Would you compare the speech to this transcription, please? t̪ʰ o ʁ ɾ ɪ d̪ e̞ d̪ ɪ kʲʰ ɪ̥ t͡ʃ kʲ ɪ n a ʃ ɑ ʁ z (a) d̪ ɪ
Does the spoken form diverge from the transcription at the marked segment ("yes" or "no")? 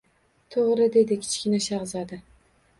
no